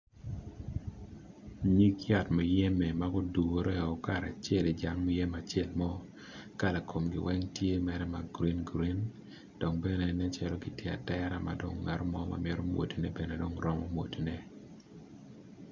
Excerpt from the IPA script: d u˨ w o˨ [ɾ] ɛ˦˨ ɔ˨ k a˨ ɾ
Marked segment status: correct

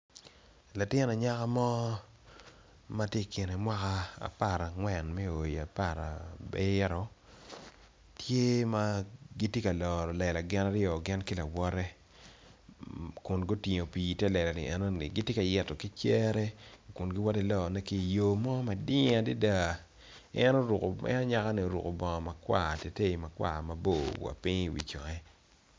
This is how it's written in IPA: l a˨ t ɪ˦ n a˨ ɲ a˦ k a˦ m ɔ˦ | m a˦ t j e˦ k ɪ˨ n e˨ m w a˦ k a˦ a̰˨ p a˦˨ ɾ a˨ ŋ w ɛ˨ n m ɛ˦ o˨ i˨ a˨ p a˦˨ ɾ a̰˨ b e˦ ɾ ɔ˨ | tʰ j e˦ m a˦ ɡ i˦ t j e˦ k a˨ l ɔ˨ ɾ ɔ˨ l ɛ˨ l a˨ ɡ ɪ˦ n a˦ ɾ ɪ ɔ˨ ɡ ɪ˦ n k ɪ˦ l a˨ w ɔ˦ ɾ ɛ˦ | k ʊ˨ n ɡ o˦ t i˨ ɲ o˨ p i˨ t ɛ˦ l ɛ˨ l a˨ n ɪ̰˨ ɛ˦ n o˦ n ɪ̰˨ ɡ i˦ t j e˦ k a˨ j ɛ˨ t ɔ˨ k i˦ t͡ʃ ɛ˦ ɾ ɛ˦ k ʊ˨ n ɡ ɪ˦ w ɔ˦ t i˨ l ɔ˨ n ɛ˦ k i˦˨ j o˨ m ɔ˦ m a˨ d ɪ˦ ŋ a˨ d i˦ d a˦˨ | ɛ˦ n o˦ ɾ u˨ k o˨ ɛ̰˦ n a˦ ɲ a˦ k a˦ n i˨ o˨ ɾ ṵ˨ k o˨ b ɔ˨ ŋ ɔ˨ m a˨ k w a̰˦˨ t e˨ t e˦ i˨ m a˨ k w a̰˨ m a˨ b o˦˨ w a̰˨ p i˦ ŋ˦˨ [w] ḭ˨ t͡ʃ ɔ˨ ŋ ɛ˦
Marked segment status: correct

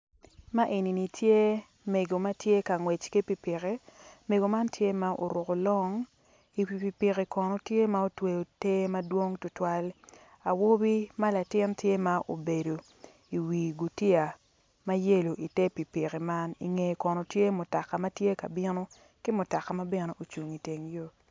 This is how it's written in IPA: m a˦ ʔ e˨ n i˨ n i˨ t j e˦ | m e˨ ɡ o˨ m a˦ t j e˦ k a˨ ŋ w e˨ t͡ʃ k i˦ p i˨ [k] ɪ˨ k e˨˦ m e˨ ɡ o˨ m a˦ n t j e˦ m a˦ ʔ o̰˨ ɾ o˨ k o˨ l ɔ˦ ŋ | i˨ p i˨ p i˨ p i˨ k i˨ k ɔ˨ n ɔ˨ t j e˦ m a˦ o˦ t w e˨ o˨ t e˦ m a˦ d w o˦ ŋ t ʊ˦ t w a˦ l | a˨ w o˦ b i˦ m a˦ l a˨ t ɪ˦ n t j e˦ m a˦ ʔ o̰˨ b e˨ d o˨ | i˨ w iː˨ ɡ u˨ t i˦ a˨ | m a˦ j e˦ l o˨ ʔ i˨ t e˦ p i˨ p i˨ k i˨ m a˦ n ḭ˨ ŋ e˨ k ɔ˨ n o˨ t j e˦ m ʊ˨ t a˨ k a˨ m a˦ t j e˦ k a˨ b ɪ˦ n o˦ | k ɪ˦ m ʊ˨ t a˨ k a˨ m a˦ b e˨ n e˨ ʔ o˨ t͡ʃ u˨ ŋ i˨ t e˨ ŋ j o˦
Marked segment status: incorrect: p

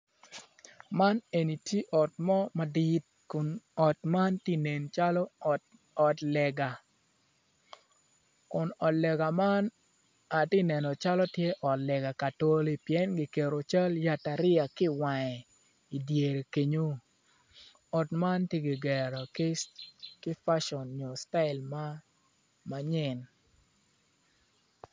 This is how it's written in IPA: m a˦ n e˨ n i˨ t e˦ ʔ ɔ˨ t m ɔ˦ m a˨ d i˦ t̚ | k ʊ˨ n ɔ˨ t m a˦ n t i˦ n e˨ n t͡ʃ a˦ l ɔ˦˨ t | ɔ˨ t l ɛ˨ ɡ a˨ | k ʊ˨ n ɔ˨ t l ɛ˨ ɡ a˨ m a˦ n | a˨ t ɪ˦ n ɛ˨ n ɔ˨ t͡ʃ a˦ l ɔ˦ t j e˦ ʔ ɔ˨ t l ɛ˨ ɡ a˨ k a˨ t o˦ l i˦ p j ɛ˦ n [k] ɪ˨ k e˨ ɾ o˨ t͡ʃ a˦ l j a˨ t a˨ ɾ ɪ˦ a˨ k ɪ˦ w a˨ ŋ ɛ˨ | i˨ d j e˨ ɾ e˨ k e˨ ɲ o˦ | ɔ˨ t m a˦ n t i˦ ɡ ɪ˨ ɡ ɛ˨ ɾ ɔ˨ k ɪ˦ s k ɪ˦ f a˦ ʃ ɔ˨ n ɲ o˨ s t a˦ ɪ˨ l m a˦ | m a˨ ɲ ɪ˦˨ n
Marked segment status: incorrect: ɡ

